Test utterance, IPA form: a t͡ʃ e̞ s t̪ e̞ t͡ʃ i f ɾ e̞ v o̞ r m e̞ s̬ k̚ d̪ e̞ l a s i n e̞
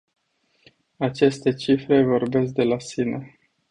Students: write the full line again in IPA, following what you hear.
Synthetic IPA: a t͡ʃ e̞ s t̪ e̞ t͡ʃ i f ɾ e̞ v o̞ r b e̞ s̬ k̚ d̪ e̞ l a s i n e̞